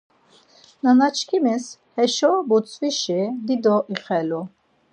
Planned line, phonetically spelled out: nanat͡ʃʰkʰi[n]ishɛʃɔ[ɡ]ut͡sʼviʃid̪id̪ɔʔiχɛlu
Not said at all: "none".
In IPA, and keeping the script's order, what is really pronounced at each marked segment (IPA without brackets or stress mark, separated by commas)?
m, b